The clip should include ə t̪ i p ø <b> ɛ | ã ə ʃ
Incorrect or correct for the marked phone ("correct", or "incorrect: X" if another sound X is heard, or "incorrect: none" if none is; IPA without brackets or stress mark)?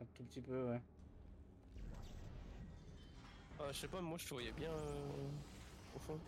incorrect: w